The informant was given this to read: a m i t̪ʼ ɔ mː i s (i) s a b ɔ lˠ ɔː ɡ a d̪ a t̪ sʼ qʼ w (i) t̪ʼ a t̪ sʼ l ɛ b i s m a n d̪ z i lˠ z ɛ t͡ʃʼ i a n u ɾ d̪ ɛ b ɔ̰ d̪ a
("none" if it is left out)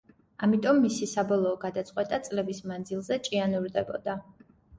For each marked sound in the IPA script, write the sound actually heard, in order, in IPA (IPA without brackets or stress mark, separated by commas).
i, ɛ